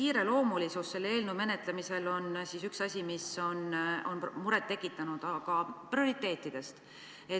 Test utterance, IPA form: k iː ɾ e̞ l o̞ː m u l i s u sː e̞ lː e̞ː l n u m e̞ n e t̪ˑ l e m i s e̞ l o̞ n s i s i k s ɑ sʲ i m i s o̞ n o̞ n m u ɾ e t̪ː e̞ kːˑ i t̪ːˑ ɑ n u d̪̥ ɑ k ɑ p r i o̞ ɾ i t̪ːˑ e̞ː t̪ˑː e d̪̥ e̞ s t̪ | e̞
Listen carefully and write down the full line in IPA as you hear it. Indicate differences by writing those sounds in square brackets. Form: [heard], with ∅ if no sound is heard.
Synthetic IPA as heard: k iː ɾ e̞ l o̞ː m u l i s u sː e̞ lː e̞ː l n u m e̞ n e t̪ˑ l e m i s e̞ l o̞ n s i s [y] k s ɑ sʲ i m i s o̞ n o̞ n m u ɾ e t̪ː e̞ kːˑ i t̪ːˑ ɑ n u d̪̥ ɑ k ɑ p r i o̞ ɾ i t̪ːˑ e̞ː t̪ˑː [i] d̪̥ e̞ s t̪ | e̞